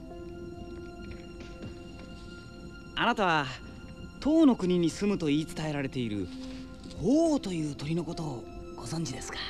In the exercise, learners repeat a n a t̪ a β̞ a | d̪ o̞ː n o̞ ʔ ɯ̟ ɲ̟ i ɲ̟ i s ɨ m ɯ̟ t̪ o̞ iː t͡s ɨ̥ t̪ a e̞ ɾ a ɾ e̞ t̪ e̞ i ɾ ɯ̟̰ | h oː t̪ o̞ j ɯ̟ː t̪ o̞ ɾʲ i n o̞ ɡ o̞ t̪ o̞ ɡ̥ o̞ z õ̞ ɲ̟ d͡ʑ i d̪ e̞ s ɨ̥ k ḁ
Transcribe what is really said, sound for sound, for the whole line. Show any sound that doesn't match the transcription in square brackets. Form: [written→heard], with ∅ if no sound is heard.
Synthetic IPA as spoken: a n a t̪ a β̞ a | [d̪→t̪] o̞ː n o̞ [ʔ→k] ɯ̟ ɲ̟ i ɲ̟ i s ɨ m ɯ̟ t̪ o̞ iː t͡s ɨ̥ t̪ a e̞ ɾ a ɾ e̞ t̪ e̞ i ɾ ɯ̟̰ | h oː t̪ o̞ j ɯ̟ː t̪ o̞ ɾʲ i n o̞ [ɡ→k] o̞ t̪ o̞ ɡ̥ o̞ z õ̞ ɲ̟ d͡ʑ i d̪ e̞ s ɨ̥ k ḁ